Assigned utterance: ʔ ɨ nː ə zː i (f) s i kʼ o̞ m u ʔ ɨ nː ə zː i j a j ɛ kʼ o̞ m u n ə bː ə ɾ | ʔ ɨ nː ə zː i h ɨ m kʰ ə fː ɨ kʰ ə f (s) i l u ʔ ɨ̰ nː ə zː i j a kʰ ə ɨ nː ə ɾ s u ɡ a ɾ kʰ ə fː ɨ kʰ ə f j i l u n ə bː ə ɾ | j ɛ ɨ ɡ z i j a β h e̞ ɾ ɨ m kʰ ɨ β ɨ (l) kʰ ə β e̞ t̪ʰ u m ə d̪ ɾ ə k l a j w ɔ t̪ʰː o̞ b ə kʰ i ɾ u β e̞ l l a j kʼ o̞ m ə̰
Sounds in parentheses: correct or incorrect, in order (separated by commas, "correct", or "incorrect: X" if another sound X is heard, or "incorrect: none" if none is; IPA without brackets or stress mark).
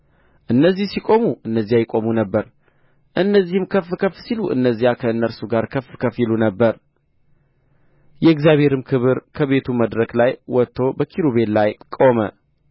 incorrect: h, correct, incorrect: ɾ